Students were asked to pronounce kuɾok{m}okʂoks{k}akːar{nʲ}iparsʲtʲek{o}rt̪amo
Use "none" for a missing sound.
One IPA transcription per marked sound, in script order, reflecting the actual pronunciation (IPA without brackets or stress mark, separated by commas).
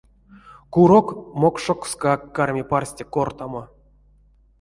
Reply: m, k, mʲ, o